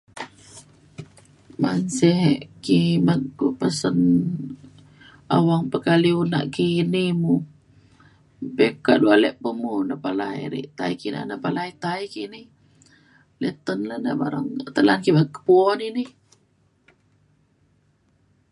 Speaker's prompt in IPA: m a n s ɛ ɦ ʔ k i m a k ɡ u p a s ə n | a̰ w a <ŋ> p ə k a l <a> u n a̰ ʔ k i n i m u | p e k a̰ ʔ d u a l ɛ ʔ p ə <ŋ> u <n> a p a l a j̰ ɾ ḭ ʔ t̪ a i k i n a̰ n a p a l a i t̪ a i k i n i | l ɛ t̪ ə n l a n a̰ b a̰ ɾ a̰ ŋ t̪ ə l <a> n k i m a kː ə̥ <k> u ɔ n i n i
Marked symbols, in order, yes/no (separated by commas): yes, no, no, yes, yes, no